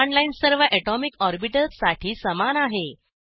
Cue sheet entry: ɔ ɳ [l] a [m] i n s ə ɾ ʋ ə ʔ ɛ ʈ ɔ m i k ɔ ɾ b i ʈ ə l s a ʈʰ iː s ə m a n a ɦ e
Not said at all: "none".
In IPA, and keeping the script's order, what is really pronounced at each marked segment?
l, none

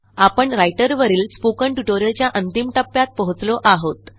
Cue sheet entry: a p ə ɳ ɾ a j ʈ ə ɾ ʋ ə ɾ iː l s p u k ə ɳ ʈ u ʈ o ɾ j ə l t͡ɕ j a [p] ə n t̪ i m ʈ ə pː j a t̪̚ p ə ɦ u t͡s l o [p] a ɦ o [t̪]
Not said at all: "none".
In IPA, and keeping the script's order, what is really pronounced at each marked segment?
ʔ, ʔ, t̪

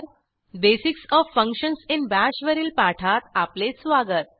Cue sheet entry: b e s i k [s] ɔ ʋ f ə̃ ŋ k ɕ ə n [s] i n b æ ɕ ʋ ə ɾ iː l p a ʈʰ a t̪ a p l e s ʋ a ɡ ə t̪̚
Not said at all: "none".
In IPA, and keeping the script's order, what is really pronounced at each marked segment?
s, s

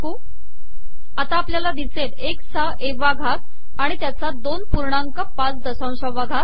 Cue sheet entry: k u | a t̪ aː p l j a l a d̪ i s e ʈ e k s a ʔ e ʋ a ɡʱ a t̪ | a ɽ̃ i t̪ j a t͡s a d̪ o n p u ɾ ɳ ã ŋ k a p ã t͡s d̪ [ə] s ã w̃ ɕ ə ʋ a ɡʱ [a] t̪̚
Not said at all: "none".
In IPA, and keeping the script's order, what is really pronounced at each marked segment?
ə, a

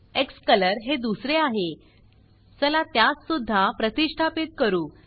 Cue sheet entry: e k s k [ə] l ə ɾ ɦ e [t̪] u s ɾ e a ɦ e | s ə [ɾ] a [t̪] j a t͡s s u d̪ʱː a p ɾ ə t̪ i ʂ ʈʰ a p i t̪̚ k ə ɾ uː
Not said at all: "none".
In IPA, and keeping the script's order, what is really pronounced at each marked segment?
ə, d̪, l, t̪

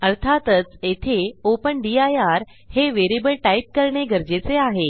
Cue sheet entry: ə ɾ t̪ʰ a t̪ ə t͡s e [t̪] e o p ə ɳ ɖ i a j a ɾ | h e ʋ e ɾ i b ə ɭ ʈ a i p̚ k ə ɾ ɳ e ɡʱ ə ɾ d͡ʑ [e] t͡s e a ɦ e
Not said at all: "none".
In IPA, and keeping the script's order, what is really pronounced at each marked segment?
t̪ʰ, e

